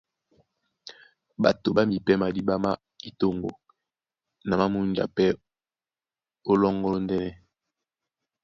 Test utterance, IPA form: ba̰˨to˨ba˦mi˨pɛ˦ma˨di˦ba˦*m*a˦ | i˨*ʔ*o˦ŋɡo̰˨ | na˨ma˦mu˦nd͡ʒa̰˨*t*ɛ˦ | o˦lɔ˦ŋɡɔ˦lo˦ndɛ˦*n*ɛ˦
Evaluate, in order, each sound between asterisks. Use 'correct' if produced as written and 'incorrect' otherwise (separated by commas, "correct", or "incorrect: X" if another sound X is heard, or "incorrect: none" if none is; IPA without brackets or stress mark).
correct, incorrect: t, incorrect: p, correct